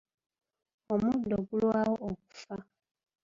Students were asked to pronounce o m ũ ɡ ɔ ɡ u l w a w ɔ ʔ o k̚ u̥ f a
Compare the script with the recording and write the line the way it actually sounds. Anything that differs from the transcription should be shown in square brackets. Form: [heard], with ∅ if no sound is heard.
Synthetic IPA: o m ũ [d] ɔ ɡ u l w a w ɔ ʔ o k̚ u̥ f a